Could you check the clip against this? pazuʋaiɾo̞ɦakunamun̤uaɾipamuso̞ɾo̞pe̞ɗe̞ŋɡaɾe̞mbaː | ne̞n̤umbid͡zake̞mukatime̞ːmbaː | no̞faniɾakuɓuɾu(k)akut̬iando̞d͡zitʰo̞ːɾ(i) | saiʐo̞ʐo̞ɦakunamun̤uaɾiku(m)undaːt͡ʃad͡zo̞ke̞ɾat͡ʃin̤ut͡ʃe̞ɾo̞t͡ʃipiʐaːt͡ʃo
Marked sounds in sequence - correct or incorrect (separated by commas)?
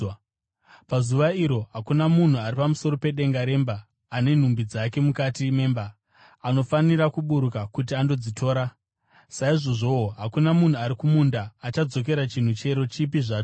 correct, incorrect, correct